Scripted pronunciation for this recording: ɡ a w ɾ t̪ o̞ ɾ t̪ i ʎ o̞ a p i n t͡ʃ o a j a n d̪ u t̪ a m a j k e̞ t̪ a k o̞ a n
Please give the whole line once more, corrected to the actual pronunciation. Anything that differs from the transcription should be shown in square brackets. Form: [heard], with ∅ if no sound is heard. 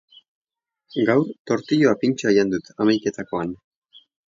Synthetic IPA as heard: ɡ a w ɾ t̪ o̞ ɾ t̪ i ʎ o̞ a p i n t͡ʃ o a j a n d̪ u t̪ a m a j k e̞ t̪ a k o̞ a n